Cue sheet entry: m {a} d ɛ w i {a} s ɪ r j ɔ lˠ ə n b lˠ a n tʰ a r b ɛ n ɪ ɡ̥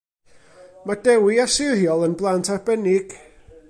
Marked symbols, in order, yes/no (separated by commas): yes, yes